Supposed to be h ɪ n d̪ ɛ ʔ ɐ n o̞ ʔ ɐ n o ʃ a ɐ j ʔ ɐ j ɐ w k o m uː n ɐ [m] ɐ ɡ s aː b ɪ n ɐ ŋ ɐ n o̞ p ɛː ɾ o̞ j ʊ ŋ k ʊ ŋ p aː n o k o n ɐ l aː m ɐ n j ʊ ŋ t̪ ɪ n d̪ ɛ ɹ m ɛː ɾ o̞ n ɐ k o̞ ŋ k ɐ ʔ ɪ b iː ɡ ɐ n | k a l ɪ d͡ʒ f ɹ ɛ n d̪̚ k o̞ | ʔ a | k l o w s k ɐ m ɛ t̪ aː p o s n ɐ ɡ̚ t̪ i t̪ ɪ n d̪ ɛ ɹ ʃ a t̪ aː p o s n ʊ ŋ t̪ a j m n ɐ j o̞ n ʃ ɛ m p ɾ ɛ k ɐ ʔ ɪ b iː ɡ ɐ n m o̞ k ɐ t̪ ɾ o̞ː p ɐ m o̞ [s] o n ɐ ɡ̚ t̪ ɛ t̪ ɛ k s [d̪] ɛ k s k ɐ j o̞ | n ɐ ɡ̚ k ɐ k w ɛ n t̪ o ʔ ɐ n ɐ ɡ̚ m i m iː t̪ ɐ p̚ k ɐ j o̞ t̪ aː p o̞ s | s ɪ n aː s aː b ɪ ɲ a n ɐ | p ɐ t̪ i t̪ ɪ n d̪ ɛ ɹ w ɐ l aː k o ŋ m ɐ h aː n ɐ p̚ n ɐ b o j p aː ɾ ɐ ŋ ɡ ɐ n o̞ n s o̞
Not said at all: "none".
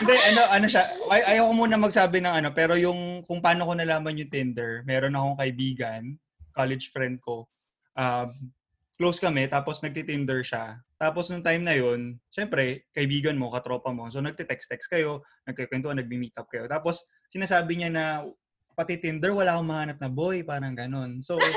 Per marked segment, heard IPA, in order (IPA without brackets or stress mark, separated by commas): m, s, t̪